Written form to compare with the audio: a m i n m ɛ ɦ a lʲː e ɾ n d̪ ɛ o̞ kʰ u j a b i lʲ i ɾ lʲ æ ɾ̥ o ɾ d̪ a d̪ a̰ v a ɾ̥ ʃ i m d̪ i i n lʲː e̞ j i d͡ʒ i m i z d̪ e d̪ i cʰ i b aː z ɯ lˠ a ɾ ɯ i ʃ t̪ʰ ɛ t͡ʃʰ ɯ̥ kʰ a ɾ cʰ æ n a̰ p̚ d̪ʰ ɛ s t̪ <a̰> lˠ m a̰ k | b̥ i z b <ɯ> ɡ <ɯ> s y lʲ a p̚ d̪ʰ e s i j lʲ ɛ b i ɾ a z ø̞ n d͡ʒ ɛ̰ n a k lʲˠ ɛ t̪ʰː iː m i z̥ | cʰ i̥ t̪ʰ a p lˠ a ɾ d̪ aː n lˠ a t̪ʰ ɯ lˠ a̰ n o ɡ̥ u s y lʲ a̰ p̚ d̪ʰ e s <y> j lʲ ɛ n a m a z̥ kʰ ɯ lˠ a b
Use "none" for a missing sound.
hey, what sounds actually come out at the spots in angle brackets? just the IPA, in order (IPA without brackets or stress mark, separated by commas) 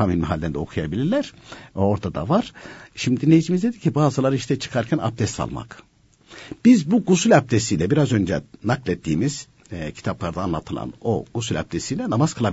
a̰, u, u, i